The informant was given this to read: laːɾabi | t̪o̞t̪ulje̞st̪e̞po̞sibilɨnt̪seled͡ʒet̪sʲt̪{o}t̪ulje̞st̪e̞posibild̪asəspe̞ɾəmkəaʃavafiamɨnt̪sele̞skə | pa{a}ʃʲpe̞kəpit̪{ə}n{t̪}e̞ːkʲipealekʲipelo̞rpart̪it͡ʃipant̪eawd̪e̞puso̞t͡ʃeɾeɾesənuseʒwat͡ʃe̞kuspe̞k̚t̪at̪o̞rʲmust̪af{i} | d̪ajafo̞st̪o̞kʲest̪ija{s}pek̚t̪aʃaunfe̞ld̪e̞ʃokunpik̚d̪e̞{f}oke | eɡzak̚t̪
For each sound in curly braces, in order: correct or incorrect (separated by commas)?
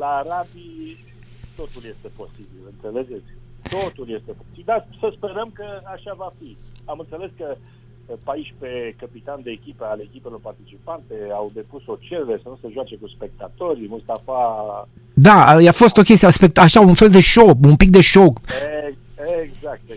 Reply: correct, incorrect, incorrect, incorrect, incorrect, correct, incorrect